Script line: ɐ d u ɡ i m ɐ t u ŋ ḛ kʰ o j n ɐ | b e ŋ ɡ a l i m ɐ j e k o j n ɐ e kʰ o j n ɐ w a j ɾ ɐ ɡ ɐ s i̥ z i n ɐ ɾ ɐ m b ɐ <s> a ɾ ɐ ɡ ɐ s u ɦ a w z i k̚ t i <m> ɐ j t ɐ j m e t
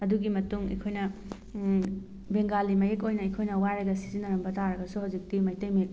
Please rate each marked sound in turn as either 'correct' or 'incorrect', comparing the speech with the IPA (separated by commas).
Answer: incorrect, correct